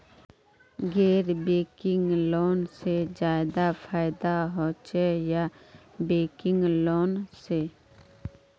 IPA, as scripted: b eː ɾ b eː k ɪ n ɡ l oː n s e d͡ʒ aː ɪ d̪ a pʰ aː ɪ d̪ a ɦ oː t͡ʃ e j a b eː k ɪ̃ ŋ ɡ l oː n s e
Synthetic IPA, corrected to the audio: ɡ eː ɾ b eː k ɪ ŋ ɡ l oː n s e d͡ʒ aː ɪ d̪ a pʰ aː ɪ d̪ a ɦ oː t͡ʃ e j a b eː k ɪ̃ ŋ ɡ l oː n s e